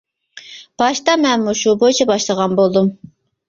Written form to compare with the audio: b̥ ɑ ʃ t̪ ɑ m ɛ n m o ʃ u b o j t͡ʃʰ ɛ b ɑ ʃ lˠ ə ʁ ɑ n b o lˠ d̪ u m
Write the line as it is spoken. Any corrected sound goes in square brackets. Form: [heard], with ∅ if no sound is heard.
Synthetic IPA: b̥ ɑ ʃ t̪ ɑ m ɛ n m [u] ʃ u b o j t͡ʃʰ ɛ b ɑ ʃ lˠ ə ʁ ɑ n b o lˠ d̪ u m